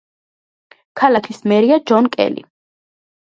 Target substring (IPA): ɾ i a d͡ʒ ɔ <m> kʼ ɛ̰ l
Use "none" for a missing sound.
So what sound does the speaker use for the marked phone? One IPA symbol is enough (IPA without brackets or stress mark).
n